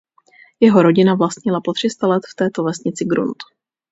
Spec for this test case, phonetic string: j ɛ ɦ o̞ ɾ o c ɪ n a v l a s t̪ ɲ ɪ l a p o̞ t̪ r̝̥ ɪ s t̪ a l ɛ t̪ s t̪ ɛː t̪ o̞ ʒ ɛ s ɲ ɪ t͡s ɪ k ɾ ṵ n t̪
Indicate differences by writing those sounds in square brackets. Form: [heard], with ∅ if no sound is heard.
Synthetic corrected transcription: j ɛ ɦ o̞ ɾ o [ɟ] ɪ n a v l a s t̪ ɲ ɪ l a p o̞ t̪ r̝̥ ɪ s t̪ a l ɛ t̪ [f] t̪ ɛː t̪ o̞ [v] ɛ s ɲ ɪ t͡s ɪ [ɡ] ɾ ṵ n t̪